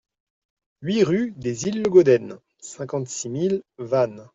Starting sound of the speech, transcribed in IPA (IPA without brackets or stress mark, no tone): ɥ